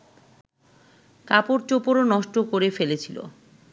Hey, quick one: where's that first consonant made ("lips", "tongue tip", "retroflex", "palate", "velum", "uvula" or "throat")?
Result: velum